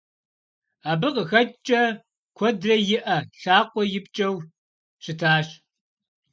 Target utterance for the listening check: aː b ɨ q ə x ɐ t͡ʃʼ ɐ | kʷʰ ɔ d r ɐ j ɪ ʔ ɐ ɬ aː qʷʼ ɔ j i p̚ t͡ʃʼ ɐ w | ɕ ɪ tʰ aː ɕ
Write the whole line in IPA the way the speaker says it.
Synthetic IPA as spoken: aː b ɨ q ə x ɐ t͡ʃʼ ɐ | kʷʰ ɔ d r ɐ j ɪ ʔ ɐ ɬ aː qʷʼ ɔ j ɪ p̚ t͡ʃʼ ɐ w | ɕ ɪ tʰ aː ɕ